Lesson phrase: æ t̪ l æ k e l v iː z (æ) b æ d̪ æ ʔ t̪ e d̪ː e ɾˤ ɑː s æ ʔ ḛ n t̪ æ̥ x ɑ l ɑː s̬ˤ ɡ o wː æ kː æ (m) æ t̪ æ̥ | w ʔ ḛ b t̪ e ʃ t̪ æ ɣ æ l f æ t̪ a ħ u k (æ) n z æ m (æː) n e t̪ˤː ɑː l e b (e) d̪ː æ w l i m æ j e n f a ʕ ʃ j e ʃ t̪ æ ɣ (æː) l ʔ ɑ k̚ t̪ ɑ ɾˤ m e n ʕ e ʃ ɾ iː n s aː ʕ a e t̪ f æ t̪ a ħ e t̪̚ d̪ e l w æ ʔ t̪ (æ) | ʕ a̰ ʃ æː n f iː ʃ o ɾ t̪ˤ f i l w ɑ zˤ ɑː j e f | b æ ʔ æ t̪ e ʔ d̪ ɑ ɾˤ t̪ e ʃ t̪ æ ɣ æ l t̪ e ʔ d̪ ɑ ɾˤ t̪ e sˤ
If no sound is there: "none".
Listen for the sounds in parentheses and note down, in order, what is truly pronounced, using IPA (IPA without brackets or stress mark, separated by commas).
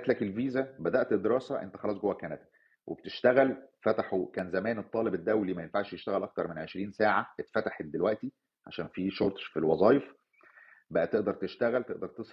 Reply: æ, n, æː, æː, e, æ, i